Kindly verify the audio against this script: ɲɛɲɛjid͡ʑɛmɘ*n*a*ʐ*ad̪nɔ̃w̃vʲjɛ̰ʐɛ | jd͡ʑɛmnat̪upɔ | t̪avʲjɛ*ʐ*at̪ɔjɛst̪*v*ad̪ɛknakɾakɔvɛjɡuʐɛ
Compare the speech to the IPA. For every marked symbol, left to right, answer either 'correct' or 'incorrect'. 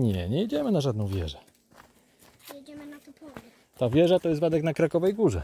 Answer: correct, correct, correct, correct

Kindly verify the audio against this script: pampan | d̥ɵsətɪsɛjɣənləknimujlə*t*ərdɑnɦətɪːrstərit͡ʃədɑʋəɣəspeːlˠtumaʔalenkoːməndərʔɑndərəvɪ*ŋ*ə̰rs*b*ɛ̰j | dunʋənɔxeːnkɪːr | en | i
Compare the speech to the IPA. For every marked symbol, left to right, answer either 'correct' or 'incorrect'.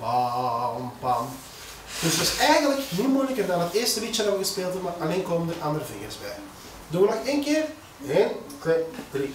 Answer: incorrect: k, correct, correct

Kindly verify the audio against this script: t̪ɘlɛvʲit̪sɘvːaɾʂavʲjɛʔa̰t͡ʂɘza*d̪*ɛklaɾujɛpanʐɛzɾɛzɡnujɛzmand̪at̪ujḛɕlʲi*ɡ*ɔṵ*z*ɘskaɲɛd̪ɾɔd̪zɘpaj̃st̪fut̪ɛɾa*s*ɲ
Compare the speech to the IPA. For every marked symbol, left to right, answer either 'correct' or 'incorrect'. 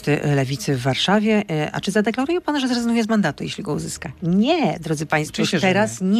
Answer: correct, correct, correct, correct

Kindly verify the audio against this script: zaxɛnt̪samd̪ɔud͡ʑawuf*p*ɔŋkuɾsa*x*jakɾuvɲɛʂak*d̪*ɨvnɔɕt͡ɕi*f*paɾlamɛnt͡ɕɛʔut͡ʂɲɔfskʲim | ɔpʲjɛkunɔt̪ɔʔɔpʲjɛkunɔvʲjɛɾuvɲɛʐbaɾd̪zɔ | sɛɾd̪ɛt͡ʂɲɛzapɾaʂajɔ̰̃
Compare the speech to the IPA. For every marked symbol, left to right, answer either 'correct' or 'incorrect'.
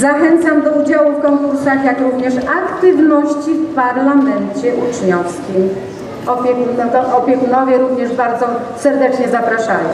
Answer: incorrect: k, correct, incorrect: t̪, correct

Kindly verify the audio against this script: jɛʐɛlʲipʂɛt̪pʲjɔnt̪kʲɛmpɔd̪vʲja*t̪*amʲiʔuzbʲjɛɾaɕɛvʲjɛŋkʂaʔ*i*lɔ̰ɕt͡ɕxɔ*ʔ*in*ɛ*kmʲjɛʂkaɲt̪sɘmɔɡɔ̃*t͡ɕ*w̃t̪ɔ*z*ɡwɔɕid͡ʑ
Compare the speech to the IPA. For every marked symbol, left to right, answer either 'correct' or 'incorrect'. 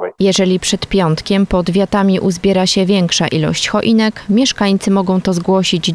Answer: correct, correct, correct, correct, incorrect: none, correct

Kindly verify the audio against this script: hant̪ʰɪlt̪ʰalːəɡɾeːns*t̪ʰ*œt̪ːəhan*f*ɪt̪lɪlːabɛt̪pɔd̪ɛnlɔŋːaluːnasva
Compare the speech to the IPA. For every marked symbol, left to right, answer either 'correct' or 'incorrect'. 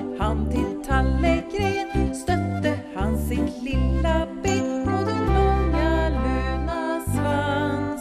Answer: incorrect: t̪, incorrect: s

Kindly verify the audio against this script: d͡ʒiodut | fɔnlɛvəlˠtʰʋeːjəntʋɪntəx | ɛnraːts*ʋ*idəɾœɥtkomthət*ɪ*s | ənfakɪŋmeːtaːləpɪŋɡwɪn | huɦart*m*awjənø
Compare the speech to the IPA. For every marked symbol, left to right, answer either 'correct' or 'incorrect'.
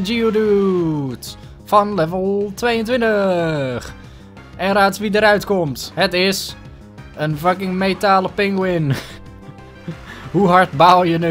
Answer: correct, correct, incorrect: b

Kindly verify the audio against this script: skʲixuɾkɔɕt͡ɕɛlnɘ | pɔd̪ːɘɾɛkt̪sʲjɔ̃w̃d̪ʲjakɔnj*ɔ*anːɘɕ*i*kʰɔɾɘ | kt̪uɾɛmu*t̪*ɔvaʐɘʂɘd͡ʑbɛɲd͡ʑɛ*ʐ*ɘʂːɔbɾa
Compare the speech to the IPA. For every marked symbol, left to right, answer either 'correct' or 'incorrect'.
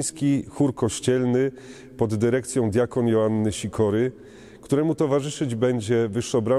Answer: correct, correct, correct, incorrect: v

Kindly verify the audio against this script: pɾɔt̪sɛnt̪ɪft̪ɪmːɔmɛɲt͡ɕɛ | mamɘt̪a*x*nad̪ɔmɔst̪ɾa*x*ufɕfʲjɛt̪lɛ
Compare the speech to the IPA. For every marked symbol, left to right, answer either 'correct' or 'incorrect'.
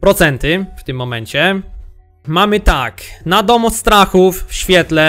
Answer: incorrect: k, correct

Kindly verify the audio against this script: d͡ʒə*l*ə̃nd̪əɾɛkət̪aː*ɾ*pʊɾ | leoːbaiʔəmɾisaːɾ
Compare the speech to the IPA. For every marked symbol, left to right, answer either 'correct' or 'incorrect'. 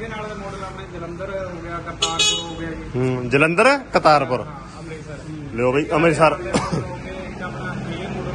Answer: correct, correct

